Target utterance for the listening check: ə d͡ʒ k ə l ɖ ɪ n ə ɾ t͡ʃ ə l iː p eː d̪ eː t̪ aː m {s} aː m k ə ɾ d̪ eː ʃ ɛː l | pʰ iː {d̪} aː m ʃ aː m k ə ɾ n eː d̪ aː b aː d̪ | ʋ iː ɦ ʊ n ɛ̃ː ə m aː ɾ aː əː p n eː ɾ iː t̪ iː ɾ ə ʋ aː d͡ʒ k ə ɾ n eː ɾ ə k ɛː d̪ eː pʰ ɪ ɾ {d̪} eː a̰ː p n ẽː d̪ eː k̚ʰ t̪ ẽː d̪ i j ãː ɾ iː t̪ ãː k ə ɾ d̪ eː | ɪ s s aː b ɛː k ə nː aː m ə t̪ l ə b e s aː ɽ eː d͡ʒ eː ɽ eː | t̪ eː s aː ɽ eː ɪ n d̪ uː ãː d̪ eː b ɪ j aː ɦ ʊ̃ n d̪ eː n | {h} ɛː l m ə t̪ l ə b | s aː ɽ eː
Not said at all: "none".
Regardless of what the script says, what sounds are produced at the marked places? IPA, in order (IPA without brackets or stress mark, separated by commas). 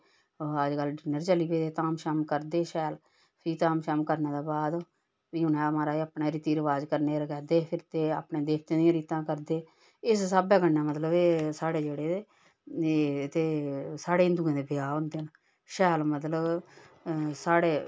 ʃ, t̪, t̪, ʃ